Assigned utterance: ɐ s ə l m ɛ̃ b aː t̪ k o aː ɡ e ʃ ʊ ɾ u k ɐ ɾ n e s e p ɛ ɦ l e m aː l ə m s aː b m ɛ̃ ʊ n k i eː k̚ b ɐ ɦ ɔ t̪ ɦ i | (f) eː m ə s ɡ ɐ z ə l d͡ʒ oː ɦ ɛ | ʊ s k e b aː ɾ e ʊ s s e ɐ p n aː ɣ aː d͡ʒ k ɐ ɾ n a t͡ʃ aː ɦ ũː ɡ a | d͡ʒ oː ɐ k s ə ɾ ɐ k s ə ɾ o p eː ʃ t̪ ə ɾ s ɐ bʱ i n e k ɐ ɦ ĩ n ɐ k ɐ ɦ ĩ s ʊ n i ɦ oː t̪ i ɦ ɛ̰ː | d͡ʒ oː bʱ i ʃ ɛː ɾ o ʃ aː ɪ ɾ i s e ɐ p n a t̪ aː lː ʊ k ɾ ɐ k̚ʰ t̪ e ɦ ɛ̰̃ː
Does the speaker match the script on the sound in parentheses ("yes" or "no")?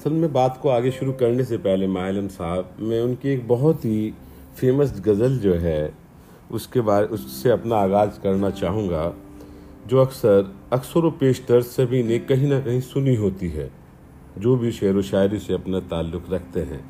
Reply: yes